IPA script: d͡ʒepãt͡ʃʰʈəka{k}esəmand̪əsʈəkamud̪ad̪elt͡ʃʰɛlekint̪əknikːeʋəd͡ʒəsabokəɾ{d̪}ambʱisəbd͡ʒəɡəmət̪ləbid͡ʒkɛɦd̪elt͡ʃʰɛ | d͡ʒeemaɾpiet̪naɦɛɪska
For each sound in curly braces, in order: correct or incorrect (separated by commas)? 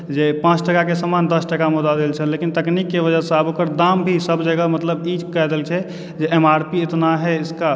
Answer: correct, correct